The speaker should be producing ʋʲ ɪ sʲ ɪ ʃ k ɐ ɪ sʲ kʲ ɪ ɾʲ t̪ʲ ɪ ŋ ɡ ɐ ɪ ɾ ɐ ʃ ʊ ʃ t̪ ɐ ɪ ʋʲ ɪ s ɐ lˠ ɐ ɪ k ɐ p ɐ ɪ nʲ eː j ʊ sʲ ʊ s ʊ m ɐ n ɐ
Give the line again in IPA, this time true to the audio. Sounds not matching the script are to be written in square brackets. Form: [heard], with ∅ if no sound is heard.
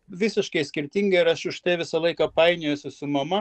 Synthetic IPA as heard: ʋʲ ɪ sʲ ɪ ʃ k ɐ ɪ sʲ kʲ ɪ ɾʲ t̪ʲ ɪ ŋ ɡ ɐ ɪ ɾ ɐ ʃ ʊ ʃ t̪ ɐ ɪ ʋʲ ɪ s ɐ lˠ ɐ ɪ k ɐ p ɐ ɪ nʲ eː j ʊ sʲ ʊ s ʊ m ɐ [m] ɐ